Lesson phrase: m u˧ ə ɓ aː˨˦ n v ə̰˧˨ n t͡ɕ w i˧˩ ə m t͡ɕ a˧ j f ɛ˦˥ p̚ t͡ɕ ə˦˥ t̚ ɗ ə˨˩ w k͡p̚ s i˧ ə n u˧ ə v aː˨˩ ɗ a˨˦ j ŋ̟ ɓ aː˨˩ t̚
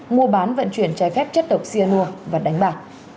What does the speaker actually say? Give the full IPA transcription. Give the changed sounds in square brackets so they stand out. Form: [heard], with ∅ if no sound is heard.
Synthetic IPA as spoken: m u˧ ə ɓ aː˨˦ n v ə̰˧˨ n t͡ɕ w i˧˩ ə [n] t͡ɕ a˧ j f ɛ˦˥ p̚ t͡ɕ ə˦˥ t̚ ɗ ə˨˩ w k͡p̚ s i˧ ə n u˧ ə v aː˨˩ ɗ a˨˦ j ŋ̟ ɓ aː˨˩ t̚

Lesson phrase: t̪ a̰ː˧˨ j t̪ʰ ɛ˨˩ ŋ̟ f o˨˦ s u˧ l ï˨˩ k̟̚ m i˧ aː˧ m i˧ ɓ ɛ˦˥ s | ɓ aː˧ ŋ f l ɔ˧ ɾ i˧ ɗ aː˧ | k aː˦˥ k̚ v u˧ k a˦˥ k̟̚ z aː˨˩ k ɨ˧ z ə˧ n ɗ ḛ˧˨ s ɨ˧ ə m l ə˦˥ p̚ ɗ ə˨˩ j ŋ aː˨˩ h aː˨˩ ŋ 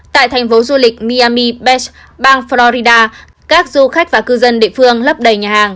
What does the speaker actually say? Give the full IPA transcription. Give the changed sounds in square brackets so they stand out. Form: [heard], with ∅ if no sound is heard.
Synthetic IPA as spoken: t̪ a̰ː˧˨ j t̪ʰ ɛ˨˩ ŋ̟ f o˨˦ [z] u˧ l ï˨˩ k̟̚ m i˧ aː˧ m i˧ ɓ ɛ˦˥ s | ɓ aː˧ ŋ f l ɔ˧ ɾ i˧ ɗ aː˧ | k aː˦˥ k̚ [z] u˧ [x] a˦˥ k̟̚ [v] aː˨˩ k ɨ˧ z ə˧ n ɗ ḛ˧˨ [f] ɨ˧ ə [ŋ] l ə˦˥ p̚ ɗ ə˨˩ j [ɲ] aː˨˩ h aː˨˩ ŋ

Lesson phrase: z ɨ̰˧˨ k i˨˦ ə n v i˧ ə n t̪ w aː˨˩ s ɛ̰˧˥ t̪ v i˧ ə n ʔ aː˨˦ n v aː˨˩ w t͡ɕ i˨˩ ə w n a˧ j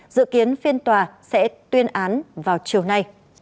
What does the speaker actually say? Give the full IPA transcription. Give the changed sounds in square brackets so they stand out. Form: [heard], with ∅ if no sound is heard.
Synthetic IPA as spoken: z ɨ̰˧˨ k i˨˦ ə n [f] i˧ ə n t̪ w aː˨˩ s ɛ̰˧˥ t̪ [w] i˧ ə n ʔ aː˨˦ n v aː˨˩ w t͡ɕ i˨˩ ə w n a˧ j

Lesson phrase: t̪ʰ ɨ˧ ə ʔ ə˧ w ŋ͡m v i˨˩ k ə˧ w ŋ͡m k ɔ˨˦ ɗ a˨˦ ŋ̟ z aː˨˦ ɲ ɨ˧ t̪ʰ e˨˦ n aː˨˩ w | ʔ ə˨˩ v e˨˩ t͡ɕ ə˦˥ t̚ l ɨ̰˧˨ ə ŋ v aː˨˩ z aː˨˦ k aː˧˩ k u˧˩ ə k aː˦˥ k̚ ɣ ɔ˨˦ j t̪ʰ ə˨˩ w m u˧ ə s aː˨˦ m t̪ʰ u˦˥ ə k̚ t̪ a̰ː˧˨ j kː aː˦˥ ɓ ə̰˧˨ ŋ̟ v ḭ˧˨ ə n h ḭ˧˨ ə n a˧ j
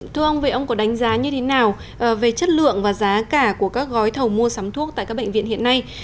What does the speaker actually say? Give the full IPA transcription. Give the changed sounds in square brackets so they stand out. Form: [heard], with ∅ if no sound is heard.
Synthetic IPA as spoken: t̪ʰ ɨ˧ ə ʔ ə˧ w ŋ͡m v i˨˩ [ʔ] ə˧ w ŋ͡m k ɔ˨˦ ɗ a˨˦ ŋ̟ z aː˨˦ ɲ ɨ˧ t̪ʰ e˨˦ n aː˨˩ w | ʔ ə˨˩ v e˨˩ t͡ɕ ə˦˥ t̚ l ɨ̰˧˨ ə ŋ v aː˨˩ z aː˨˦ k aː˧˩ k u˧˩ ə k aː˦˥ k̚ ɣ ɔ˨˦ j t̪ʰ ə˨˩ w m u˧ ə s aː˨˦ m t̪ʰ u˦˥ ə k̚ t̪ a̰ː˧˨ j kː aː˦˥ ɓ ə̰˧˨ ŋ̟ v ḭ˧˨ ə n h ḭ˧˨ ə n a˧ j

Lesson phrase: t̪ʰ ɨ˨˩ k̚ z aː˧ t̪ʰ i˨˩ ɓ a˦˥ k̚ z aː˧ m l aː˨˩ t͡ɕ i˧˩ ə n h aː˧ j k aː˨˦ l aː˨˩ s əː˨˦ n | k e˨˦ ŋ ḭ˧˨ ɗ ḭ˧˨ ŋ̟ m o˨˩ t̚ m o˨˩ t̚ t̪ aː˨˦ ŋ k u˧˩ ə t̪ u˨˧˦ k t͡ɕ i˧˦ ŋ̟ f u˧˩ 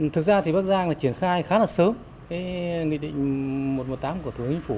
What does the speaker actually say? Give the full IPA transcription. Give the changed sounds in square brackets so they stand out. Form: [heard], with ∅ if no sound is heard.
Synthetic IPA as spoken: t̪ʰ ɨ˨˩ k̚ z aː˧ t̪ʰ i˨˩ ɓ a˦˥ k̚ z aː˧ [ŋ] l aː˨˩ t͡ɕ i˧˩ ə n [x] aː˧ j [x] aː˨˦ l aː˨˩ s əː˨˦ [m] | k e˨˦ ŋ ḭ˧˨ ɗ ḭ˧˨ ŋ̟ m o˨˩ t̚ m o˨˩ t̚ t̪ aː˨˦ [m] k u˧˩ ə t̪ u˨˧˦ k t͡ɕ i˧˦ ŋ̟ f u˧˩

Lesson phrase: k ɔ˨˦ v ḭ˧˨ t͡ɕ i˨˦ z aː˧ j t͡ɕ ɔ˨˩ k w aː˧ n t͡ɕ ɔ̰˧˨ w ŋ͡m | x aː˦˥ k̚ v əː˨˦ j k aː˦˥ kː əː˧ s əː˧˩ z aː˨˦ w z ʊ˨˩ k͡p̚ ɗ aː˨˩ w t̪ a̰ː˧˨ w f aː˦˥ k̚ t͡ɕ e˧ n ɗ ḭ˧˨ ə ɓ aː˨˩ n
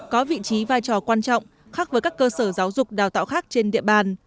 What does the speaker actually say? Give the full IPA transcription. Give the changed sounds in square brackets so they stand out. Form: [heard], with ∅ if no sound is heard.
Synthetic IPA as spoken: k ɔ˨˦ v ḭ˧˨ t͡ɕ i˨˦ [v] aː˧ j t͡ɕ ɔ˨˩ k w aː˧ n t͡ɕ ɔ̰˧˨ w ŋ͡m | x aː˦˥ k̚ v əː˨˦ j k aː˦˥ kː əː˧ s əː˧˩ z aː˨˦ w z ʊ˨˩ k͡p̚ ɗ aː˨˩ w t̪ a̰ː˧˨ w [x] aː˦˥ k̚ t͡ɕ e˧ n ɗ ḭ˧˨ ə ɓ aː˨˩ n

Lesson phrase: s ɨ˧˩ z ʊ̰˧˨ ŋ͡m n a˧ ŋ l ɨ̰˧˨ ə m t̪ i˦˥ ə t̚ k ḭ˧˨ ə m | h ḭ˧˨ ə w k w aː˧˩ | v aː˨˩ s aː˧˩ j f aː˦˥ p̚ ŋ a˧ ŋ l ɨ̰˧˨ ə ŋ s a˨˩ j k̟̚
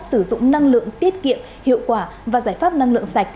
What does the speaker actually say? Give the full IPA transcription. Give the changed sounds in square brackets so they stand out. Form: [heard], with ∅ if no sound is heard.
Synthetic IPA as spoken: s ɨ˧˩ z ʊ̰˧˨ ŋ͡m n a˧ ŋ l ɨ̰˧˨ ə [ŋ] t̪ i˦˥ ə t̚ k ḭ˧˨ ə m | h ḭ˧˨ ə w k w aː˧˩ | v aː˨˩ [z] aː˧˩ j f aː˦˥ p̚ [n] a˧ ŋ l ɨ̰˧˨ ə ŋ s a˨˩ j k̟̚

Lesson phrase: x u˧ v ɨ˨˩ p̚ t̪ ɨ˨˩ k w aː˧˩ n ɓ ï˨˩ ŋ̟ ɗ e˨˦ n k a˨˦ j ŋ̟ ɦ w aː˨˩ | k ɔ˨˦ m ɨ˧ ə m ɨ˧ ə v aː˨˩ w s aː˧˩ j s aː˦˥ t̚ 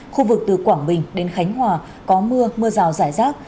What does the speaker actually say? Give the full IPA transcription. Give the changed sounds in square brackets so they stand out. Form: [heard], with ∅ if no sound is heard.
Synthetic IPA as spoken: x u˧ v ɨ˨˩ [k̚] t̪ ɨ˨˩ k w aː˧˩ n ɓ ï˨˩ ŋ̟ ɗ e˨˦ n [x] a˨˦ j ŋ̟ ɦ w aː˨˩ | k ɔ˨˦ m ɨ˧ ə m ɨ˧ ə [z] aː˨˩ w [z] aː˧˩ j [z] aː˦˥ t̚

